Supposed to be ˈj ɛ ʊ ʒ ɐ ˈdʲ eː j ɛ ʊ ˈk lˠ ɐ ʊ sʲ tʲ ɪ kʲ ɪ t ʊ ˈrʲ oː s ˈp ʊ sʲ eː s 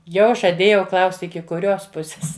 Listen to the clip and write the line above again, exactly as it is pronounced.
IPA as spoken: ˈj ɛ ʊ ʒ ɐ ˈdʲ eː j ɛ ʊ ˈk lˠ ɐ ʊ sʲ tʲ ɪ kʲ ɪ k ʊ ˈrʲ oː s ˈp ʊ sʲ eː s